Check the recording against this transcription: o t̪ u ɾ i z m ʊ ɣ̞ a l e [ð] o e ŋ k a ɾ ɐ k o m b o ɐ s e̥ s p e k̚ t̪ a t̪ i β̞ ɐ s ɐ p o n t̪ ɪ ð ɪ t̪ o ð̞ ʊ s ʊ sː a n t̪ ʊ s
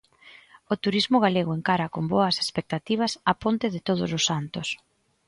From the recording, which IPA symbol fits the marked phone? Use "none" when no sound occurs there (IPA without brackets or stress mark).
ɣ